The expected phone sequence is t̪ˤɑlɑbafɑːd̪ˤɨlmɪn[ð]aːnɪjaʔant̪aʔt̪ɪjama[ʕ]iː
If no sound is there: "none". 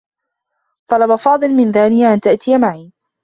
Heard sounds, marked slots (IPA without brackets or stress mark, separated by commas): ð, ʕ